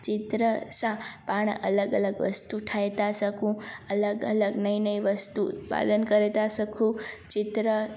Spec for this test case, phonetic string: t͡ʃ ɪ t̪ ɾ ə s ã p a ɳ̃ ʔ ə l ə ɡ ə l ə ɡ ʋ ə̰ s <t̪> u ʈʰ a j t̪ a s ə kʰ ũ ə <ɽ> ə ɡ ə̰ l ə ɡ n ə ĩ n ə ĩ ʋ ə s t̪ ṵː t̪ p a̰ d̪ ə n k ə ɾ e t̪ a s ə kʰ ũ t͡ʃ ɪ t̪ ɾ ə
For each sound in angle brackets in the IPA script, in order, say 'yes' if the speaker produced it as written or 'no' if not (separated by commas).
yes, no